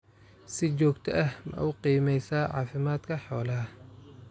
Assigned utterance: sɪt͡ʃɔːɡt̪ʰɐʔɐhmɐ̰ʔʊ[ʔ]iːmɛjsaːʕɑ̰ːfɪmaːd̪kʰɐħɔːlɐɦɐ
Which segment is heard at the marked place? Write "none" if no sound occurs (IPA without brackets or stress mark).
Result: q